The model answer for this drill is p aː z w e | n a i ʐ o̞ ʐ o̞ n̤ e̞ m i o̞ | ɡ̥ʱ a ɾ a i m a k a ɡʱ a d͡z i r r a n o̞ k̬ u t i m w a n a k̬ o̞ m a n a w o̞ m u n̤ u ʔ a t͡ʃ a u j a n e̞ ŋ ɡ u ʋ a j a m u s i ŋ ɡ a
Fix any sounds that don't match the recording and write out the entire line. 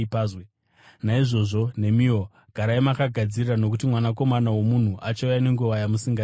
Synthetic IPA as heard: p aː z w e | n a i ʐ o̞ ʐ o̞ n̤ e̞ m i o̞ | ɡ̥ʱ a ɾ a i m a k a ɡʱ a d͡z i r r a n o̞ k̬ u t i m w a n a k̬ o̞ m a n a w o̞ m u n̤ u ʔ a t͡ʃ a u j a n e̞ ŋ ɡ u ʋ a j a m u s i ŋ ɡ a